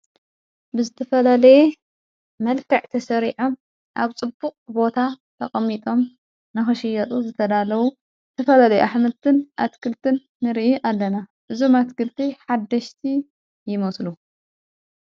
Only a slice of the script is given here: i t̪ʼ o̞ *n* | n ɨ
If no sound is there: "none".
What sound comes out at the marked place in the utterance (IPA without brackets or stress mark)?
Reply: m